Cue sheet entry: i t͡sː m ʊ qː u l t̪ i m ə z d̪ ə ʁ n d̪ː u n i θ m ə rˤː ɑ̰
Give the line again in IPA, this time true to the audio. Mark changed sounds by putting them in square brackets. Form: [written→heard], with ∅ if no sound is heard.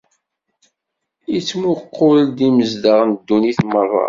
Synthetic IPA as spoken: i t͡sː m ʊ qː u l [t̪→d̪] i m ə z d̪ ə ʁ n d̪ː u n i θ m ə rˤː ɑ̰